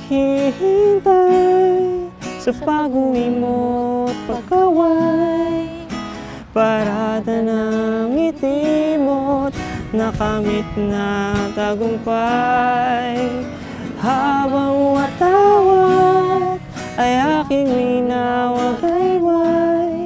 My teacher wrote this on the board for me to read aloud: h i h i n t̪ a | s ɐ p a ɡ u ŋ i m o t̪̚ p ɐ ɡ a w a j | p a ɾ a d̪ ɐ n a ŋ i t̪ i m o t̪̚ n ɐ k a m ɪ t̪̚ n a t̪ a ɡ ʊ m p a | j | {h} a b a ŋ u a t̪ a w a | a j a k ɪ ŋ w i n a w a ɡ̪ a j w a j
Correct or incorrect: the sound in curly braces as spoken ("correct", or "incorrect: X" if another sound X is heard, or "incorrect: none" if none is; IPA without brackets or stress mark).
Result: correct